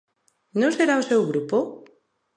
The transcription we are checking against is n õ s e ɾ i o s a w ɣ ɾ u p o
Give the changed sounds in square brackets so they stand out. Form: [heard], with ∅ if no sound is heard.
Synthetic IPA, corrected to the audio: n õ s e ɾ [a] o s [e] w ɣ ɾ u p o